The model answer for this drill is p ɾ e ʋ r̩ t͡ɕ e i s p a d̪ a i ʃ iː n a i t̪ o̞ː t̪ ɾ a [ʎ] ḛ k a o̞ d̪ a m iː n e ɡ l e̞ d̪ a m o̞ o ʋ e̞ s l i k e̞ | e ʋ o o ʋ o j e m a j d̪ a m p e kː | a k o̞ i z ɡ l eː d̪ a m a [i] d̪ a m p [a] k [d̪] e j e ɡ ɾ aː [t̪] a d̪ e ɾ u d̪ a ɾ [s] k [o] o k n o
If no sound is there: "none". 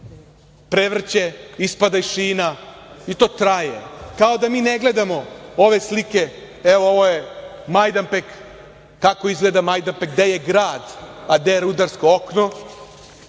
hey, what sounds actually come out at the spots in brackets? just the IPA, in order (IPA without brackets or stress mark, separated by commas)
j, j, e, d̪, d̪, s, o